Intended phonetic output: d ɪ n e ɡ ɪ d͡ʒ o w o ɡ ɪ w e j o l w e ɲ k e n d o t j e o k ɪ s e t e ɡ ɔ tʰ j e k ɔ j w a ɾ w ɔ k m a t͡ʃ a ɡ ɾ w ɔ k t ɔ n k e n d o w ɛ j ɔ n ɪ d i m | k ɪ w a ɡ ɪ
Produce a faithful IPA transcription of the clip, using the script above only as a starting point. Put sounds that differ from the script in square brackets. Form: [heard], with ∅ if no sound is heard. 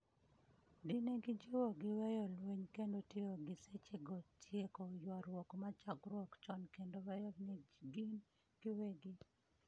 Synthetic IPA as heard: d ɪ n e ɡ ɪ d͡ʒ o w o ɡ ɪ w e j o l w e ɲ k e n d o t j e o [ɡ] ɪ s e [t͡ʃ] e ɡ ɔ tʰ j e k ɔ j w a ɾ w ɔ k m a t͡ʃ a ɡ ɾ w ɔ k [t͡ʃ] ɔ n k e n d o w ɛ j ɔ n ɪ [ɡ] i [n] | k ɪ w [e] ɡ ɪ

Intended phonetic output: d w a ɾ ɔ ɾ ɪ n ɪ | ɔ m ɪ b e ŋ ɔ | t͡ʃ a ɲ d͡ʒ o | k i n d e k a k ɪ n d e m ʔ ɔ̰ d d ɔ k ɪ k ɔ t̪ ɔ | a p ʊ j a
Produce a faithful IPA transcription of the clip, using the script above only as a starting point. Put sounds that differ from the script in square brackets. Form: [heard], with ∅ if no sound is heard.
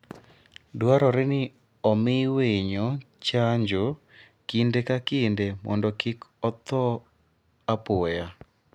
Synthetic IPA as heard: d w a ɾ ɔ ɾ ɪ n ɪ | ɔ m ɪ [w] e [ɲ] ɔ | t͡ʃ a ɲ d͡ʒ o | k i n d e k a k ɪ n d e m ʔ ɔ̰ [n] d ɔ k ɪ k ɔ t̪ ɔ | a p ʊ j a

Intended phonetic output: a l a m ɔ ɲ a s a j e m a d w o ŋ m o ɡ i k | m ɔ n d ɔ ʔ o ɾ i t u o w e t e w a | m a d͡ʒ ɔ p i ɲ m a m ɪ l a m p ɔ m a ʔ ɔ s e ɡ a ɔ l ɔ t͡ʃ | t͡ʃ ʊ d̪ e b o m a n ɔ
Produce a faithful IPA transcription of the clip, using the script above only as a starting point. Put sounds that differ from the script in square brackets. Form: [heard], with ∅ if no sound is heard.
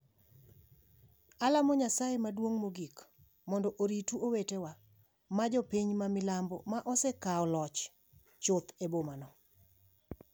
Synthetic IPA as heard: a l a m ɔ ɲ a s a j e m a d w o ŋ m o ɡ i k | m ɔ n d ɔ ʔ o ɾ i t u o w e t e w a | m a d͡ʒ ɔ p i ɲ m a m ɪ l a m [b] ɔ m a ʔ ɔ s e [k] a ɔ l ɔ t͡ʃ | t͡ʃ ʊ [t̪] e b o m a n ɔ

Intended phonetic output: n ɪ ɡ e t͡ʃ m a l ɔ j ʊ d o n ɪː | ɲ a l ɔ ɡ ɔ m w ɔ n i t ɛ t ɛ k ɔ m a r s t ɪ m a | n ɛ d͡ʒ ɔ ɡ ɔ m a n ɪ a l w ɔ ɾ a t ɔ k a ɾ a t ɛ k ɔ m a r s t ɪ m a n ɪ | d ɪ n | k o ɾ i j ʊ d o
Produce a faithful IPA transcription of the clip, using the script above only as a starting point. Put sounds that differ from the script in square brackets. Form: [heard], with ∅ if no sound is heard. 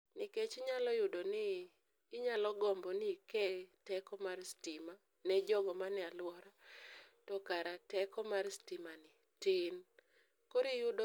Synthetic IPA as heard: n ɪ [k] e t͡ʃ [ɲ] a l ɔ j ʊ d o n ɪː | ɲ a l ɔ ɡ ɔ m [b] ɔ n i [k] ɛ t ɛ k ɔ m a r s t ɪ m a | n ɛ d͡ʒ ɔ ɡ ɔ m a n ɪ a l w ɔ ɾ a t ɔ k a ɾ a t ɛ k ɔ m a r s t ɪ m a n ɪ | [t] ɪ n | k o ɾ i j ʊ d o

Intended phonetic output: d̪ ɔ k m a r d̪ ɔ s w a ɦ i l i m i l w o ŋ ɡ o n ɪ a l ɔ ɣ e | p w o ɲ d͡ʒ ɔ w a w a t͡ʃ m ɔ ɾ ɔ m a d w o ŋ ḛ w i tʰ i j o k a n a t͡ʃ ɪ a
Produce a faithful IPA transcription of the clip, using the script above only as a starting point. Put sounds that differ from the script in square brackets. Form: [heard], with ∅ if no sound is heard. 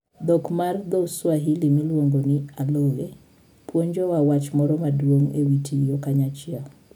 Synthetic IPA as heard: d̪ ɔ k m a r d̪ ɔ s w a ɦ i l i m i l w o ŋ ɡ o n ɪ a l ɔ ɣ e | p w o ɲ d͡ʒ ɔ w a w a t͡ʃ m ɔ ɾ ɔ m a d w o ŋ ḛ w i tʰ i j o k a [ɲ] a t͡ʃ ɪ a

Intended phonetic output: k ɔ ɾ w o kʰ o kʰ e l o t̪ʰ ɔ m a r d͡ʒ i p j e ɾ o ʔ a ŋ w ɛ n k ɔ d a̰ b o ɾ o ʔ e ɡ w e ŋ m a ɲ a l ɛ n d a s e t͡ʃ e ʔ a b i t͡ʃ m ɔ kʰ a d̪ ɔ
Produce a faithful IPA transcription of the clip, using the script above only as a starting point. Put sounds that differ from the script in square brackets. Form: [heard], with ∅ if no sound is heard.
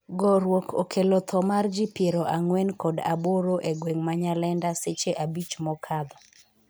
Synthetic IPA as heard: [ɡ] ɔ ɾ w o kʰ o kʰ e l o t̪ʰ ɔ m a r d͡ʒ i p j e ɾ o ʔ a ŋ w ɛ n k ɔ d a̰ b o ɾ o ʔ e ɡ w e ŋ m a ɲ a l ɛ n d a s e t͡ʃ e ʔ a b i t͡ʃ m ɔ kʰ a d̪ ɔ

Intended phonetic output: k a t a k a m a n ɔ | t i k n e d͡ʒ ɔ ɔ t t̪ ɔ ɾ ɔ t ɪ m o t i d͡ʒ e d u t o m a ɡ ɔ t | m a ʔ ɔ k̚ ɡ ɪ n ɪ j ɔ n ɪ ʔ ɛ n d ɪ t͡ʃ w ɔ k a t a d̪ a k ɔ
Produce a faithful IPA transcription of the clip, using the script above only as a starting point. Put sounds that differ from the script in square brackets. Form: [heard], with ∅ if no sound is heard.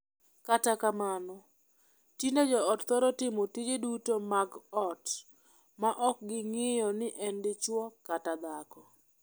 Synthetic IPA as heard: k a t a k a m a n ɔ | t i [∅] n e d͡ʒ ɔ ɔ t t̪ ɔ ɾ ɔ t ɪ m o t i d͡ʒ e d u t o m a ɡ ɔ t | m a ʔ ɔ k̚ ɡ ɪ [ŋ] ɪ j ɔ n ɪ ʔ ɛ n d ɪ t͡ʃ w ɔ k a t a d̪ a k ɔ

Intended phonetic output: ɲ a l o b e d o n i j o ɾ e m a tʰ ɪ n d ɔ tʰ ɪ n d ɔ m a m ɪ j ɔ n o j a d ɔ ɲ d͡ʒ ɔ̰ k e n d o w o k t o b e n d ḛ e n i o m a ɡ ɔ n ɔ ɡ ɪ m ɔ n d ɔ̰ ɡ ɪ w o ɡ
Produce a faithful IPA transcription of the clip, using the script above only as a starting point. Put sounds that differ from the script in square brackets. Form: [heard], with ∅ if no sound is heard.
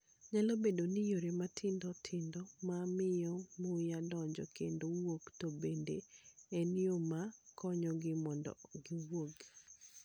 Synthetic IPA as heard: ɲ a l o b e d o n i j o ɾ e m a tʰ ɪ n d ɔ tʰ ɪ n d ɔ m a m ɪ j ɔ [m] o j a d ɔ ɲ d͡ʒ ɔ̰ k e n d o w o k t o b e n d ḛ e n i o m a [k] ɔ [ɲ] ɔ ɡ ɪ m ɔ n d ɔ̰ ɡ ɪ w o ɡ

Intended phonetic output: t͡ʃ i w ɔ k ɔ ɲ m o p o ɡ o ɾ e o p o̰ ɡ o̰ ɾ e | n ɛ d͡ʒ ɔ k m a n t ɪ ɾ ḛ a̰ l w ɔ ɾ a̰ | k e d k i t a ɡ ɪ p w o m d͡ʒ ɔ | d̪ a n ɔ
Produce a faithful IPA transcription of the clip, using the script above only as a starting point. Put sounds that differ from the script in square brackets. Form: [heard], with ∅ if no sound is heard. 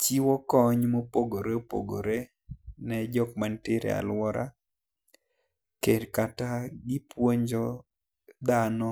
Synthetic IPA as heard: t͡ʃ i w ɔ k ɔ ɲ m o p o ɡ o ɾ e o p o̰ ɡ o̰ ɾ e | n ɛ d͡ʒ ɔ k m a n t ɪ ɾ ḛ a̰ l w ɔ ɾ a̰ | k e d k [a] t a ɡ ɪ p w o [ɲ] d͡ʒ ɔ | d̪ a n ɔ

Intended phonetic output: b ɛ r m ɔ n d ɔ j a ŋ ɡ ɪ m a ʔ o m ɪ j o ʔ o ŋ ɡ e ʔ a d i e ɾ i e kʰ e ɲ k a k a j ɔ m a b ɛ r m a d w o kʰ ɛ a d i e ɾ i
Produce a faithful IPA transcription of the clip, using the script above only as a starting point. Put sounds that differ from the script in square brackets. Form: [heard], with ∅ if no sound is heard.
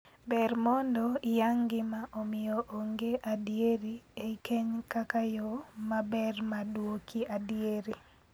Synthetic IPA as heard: b ɛ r m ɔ n d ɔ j a ŋ ɡ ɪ m a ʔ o m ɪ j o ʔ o ŋ ɡ e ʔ a d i e ɾ i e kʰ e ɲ k a k a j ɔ m a b ɛ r m a d w o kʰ [i] a d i e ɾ i

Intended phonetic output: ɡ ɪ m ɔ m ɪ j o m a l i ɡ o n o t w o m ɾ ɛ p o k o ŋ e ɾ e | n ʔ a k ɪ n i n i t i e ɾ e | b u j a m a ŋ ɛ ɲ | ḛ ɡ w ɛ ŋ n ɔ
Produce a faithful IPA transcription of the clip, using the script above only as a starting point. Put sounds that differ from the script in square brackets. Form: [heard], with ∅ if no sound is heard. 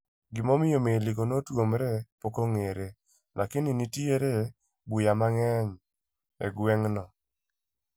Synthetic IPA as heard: ɡ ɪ m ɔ m ɪ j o m [e] l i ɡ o n o t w o m ɾ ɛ p o k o ŋ e ɾ e | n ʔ a k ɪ n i n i t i e ɾ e | b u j a m a ŋ ɛ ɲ | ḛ ɡ w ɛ ŋ n ɔ

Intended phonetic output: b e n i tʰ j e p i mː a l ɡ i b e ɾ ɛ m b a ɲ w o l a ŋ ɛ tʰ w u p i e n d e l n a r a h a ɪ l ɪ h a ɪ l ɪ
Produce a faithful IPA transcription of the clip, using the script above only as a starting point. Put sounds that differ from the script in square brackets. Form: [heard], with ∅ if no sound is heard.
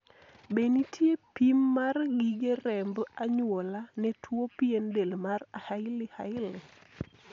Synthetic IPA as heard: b e n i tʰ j e p i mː a [r] ɡ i [ɡ] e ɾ ɛ m b a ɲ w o l a [n] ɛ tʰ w [o] p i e n d e l [m] a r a h a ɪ l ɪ h a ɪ l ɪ

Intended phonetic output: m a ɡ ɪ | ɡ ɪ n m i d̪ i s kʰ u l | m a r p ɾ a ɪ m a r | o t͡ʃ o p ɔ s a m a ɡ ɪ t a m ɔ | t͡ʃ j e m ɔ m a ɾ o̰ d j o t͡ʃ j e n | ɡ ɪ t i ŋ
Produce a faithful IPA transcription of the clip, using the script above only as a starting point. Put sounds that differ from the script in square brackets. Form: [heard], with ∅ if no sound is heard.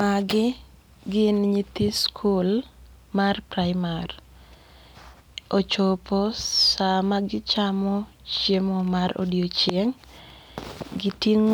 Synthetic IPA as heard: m a ɡ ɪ | ɡ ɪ n [ɲ] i [t̪] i s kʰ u l | m a r p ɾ a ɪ m a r | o t͡ʃ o p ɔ s a m a ɡ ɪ [t͡ʃ] a m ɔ | t͡ʃ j e m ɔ m a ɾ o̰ d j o t͡ʃ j e [ŋ] | ɡ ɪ t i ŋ

